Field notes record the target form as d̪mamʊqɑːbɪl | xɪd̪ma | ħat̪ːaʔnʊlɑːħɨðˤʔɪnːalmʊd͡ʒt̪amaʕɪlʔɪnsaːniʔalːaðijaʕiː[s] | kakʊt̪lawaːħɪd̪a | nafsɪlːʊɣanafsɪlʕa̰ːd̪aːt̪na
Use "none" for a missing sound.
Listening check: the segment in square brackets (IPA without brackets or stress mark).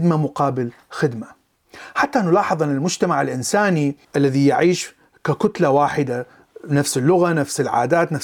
ʃ